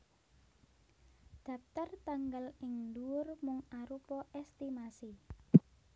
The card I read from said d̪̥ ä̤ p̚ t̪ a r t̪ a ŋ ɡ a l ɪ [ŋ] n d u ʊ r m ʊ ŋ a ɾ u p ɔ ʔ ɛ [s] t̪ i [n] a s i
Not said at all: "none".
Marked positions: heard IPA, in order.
ŋ, s, m

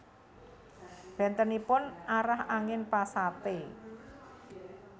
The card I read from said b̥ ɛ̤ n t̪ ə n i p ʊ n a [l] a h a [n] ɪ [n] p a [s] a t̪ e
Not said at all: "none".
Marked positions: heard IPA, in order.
ɾ, ŋ, n, s

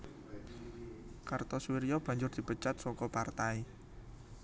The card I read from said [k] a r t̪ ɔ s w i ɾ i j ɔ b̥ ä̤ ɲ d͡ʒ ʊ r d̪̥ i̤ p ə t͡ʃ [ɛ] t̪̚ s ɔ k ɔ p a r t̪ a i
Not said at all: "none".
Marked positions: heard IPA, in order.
k, a

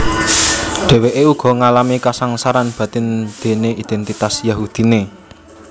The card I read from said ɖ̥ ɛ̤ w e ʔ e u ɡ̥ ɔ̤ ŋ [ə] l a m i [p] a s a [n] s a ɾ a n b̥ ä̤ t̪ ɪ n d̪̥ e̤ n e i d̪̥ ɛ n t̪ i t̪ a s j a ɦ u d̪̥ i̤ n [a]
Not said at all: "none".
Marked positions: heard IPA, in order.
a, k, ŋ, e

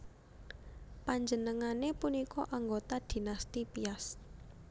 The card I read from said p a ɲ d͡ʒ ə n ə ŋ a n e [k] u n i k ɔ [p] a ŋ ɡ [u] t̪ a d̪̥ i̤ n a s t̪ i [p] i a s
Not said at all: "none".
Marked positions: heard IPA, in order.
p, ʔ, o, p

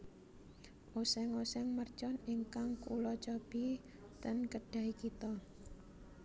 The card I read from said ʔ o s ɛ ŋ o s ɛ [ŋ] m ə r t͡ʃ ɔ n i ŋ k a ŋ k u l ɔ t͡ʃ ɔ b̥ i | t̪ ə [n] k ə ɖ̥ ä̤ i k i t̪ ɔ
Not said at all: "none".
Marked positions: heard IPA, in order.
ŋ, n

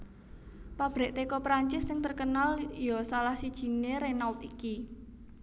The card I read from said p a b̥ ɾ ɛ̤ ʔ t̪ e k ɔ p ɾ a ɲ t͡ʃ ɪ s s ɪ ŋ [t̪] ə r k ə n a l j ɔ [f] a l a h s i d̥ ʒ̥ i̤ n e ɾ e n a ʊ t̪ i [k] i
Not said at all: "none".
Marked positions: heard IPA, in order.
t̪, s, k

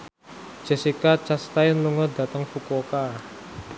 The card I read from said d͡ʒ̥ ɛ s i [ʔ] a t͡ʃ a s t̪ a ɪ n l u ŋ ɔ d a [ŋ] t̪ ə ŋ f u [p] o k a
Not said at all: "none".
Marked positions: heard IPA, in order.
k, none, k

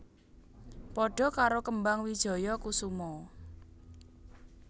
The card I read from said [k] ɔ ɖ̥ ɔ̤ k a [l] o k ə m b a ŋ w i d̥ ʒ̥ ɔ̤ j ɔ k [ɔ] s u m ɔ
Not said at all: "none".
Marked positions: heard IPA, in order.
p, ɾ, u

